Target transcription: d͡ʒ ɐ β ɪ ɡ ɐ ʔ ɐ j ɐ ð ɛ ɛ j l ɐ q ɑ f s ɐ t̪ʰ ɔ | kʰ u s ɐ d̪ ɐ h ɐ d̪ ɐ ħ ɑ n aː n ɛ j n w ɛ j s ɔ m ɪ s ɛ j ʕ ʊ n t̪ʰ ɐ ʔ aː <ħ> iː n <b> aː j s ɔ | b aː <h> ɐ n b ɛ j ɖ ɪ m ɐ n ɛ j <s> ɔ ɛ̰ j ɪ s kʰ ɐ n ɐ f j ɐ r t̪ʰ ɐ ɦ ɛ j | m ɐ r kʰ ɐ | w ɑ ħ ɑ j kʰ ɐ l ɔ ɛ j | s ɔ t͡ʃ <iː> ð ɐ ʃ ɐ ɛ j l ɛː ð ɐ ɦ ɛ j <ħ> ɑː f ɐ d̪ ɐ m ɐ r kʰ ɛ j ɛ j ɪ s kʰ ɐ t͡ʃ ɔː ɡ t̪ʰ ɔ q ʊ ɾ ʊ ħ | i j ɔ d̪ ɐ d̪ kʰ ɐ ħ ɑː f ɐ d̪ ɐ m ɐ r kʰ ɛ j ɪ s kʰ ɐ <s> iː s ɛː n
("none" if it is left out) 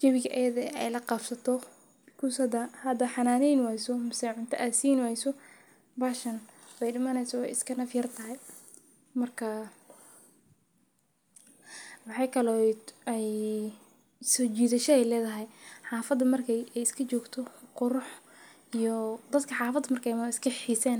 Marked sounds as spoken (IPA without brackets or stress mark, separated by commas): s, w, ʃ, s, iː, ħ, ħ